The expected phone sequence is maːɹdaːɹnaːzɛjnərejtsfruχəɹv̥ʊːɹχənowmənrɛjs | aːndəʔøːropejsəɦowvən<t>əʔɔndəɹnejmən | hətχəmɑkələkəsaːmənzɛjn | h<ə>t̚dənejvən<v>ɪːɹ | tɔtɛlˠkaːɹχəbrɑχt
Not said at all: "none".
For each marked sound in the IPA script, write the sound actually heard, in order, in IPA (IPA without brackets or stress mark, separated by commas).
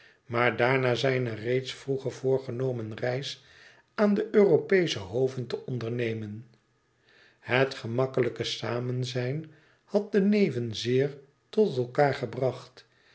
t, ɑ, z